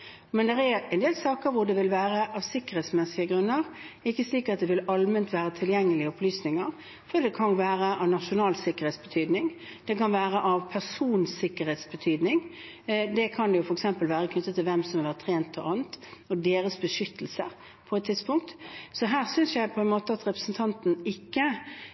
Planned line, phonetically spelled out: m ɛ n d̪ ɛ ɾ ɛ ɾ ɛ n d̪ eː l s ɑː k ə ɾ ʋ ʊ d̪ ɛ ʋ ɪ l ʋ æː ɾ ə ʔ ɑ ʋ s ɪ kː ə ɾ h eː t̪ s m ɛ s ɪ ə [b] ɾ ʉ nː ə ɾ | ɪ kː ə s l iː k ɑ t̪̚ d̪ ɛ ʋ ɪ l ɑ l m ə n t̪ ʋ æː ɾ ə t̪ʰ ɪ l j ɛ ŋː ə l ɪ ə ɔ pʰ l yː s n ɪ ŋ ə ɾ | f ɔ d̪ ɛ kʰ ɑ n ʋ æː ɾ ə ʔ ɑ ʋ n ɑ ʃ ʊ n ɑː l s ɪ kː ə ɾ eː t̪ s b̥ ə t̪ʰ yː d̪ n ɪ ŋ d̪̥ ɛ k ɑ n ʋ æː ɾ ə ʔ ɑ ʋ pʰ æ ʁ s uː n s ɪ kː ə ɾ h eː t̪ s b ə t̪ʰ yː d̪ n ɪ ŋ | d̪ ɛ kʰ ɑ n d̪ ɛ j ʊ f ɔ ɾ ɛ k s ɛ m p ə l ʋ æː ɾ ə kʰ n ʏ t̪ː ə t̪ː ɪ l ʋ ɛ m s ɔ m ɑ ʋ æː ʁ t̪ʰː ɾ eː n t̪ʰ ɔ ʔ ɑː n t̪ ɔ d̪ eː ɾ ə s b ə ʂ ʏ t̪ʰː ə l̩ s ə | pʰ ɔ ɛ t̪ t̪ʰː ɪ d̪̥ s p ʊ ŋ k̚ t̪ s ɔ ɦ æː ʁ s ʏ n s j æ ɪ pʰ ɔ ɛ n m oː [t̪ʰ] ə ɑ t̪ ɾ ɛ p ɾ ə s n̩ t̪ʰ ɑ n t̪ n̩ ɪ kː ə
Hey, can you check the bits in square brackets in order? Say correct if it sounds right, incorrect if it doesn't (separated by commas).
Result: incorrect, incorrect